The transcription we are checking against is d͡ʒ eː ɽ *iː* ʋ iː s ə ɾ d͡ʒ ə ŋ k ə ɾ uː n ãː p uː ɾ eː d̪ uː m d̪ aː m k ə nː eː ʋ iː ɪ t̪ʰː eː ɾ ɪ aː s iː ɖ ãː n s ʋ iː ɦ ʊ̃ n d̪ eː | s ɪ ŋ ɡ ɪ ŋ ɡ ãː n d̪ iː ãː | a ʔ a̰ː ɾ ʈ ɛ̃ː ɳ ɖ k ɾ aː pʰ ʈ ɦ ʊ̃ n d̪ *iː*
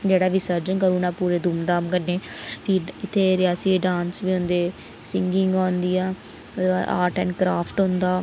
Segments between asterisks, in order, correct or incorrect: incorrect, incorrect

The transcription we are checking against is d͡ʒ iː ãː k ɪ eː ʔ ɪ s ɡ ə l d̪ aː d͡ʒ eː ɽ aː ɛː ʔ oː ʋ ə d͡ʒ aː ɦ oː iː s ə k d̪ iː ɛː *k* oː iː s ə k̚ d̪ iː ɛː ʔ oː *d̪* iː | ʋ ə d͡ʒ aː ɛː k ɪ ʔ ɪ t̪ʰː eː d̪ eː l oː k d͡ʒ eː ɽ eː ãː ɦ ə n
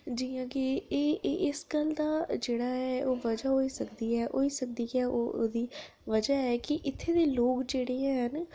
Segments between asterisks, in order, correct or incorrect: incorrect, correct

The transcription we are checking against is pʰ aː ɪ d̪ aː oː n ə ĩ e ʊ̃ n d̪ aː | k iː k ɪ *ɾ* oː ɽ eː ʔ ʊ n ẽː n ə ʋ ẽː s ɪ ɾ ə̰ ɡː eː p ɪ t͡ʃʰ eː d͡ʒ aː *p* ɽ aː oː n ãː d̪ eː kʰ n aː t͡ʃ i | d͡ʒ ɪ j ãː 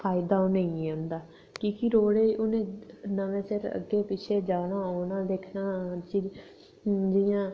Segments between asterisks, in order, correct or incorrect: correct, incorrect

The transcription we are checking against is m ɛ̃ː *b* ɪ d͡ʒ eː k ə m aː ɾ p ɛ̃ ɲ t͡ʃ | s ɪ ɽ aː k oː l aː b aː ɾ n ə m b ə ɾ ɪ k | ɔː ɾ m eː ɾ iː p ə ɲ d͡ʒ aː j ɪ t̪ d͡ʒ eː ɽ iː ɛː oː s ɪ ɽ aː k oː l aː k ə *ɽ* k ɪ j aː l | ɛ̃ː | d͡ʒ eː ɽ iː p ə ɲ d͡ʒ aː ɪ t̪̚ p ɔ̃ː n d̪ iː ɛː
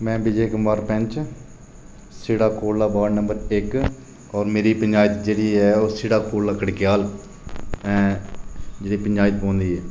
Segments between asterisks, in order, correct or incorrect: correct, correct

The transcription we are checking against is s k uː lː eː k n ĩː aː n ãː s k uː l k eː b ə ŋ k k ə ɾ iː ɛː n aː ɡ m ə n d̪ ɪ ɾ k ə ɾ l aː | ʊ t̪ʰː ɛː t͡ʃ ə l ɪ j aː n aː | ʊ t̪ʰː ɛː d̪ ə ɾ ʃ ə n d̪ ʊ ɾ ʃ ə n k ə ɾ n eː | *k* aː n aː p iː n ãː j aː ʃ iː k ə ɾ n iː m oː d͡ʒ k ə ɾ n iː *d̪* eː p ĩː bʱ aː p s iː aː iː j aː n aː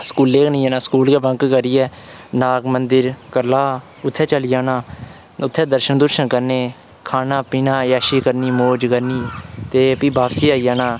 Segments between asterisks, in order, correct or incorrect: incorrect, incorrect

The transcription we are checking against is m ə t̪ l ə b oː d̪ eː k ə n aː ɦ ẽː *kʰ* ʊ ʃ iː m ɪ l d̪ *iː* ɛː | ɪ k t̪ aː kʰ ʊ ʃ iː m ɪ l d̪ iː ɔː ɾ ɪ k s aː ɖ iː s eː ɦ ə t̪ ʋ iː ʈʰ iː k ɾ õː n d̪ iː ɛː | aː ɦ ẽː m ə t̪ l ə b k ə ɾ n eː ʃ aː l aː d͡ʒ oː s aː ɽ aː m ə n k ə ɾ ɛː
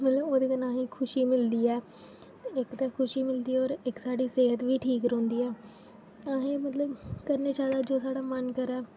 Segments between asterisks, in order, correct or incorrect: correct, correct

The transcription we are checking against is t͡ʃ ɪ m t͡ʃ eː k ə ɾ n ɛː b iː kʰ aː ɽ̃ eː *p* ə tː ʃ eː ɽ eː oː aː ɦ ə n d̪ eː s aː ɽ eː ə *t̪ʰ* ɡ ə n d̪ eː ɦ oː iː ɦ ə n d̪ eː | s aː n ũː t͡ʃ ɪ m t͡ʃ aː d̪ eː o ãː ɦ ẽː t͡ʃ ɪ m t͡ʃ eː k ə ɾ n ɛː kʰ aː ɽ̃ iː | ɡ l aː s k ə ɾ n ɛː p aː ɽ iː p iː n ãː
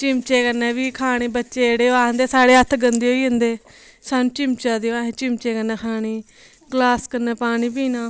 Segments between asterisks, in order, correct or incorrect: incorrect, correct

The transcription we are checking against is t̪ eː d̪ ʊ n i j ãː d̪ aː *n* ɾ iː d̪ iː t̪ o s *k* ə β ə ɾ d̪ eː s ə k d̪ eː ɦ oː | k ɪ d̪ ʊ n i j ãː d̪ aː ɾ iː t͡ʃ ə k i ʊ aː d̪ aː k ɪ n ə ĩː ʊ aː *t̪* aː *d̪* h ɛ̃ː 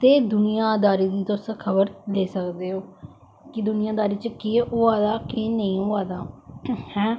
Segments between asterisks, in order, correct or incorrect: incorrect, incorrect, incorrect, incorrect

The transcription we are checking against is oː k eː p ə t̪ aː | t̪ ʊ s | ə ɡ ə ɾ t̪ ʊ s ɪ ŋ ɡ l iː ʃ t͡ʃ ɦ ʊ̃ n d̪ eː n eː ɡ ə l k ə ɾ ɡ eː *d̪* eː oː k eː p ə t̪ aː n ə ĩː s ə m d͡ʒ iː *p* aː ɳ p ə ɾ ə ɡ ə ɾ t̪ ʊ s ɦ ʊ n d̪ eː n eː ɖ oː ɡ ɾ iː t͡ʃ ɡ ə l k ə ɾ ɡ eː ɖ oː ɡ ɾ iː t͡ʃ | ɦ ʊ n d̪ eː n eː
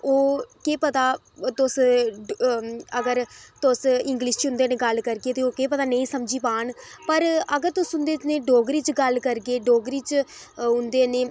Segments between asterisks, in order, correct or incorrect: incorrect, correct

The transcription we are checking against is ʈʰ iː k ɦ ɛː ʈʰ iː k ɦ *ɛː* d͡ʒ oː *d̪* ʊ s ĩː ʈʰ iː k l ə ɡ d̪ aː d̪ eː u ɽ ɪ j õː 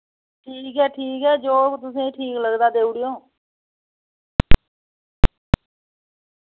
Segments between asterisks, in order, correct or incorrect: correct, incorrect

